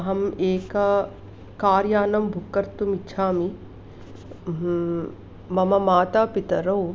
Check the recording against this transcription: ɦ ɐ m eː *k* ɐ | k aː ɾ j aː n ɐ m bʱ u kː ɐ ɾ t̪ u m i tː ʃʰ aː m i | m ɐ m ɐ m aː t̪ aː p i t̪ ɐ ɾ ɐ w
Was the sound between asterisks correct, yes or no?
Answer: yes